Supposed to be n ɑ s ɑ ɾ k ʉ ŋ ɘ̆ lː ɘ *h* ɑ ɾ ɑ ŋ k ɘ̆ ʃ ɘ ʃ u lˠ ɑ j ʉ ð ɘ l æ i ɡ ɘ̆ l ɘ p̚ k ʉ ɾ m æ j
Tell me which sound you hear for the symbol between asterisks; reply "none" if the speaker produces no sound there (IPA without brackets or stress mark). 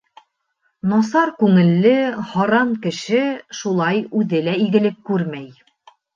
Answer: h